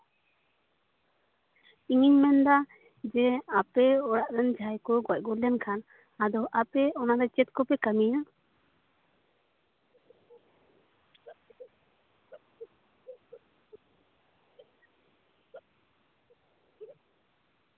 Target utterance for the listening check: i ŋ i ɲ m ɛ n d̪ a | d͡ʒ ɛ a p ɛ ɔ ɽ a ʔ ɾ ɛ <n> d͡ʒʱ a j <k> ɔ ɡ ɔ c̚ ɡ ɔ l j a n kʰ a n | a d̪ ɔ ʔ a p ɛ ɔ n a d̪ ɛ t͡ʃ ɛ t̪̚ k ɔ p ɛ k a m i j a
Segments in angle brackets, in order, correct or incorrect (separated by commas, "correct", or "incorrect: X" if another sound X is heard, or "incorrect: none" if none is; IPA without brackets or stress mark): correct, correct